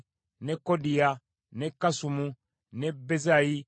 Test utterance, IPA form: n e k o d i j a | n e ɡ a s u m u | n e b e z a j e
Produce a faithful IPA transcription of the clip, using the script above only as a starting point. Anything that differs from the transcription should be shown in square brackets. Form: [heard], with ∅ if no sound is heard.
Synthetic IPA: n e k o d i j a | n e [k] a s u m u | n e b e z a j [i]